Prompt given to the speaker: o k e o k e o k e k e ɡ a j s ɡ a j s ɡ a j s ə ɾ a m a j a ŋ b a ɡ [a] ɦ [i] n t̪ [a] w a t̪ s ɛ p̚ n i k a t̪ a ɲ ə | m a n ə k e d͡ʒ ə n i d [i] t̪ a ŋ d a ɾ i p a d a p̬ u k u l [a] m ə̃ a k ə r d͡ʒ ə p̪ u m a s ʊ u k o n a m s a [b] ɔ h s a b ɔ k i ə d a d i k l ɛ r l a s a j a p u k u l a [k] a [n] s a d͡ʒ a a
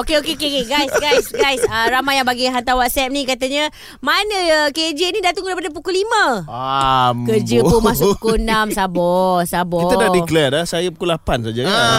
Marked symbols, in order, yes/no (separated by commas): no, no, yes, no, no, yes, no, yes